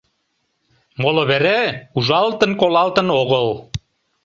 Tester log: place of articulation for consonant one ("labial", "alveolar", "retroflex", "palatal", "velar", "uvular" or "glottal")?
labial